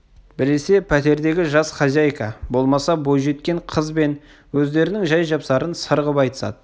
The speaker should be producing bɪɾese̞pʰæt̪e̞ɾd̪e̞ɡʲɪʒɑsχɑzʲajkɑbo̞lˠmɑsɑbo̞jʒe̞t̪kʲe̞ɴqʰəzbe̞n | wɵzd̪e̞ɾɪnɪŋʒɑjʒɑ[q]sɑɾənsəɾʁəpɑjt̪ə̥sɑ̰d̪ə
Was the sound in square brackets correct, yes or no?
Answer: no